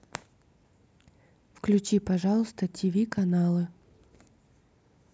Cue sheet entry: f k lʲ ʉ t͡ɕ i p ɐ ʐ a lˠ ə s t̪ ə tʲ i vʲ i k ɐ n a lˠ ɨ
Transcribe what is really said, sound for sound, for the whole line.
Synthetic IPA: f k lʲ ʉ t͡ɕ i p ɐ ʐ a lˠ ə s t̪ ə tʲ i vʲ i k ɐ n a lˠ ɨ